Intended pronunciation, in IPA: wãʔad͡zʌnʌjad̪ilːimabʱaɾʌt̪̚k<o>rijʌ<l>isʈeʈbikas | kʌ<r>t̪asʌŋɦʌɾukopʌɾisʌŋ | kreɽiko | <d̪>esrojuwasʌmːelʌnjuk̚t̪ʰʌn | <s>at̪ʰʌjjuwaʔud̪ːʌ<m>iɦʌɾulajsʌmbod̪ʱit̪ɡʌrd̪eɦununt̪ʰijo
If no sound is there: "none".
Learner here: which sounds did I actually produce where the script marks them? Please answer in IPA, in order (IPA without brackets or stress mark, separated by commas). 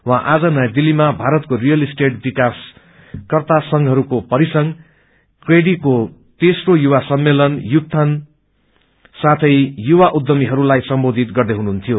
o, l, r, t̪, s, m